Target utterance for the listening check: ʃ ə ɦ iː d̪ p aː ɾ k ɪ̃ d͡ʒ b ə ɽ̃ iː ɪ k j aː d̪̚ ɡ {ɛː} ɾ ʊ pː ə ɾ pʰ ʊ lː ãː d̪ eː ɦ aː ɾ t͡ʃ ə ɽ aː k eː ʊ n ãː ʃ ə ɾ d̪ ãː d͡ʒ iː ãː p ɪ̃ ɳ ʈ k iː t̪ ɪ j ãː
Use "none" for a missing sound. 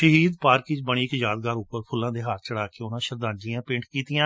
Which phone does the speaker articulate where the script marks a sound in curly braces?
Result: aː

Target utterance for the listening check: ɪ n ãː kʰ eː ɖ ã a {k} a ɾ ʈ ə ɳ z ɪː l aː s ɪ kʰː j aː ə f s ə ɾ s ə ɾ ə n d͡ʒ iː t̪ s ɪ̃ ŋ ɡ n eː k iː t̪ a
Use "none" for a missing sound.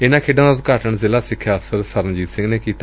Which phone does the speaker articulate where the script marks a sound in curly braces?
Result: k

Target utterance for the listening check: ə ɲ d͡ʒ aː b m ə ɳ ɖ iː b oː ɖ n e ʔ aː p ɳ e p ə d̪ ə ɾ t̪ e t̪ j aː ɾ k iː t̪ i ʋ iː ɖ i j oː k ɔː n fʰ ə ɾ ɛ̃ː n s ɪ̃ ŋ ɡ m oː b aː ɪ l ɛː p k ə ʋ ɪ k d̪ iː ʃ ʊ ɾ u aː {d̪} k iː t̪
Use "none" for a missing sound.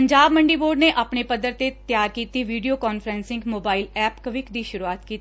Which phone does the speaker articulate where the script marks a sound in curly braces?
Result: t̪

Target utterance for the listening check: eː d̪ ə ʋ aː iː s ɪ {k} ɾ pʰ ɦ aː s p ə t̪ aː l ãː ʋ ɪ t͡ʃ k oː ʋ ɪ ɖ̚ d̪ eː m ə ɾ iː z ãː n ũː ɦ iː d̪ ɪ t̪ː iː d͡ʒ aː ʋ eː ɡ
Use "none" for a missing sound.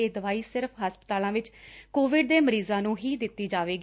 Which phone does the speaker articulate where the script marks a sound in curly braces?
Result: none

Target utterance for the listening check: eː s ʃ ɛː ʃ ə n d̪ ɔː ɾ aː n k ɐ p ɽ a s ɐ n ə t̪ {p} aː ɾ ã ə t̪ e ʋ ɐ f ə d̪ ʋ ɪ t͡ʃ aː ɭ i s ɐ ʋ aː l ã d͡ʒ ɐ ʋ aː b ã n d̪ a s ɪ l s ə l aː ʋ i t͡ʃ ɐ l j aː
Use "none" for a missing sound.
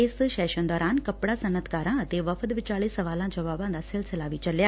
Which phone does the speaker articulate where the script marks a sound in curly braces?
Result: k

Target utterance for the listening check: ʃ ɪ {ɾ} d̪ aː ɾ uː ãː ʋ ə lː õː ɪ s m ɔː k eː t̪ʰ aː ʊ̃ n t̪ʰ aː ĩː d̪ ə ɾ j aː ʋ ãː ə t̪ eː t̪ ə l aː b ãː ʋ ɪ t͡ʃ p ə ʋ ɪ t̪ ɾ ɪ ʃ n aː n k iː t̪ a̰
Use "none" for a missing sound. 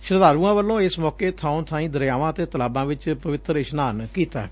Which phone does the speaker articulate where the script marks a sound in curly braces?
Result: ɾ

